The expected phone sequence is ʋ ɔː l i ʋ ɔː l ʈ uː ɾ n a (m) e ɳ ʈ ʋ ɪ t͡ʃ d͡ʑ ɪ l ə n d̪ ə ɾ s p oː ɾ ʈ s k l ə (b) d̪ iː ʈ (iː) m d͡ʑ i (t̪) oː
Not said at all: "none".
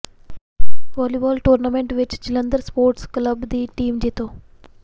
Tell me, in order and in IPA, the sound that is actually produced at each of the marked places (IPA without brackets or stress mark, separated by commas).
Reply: m, b, iː, t̪